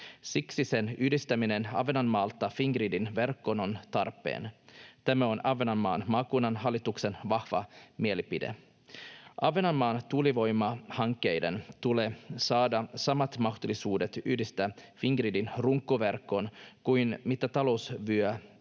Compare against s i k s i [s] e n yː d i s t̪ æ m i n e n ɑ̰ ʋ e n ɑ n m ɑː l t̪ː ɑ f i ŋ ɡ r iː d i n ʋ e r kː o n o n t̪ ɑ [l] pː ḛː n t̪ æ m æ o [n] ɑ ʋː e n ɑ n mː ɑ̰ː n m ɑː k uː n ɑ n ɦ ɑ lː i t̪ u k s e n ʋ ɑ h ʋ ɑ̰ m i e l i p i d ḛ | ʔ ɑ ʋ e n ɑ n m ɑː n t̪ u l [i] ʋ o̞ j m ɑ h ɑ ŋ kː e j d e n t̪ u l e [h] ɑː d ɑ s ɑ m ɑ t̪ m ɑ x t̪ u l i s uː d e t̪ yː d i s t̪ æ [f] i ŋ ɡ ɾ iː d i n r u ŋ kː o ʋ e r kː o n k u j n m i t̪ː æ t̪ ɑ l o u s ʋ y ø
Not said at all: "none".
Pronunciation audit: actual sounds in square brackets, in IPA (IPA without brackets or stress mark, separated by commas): s, r, n, i, s, f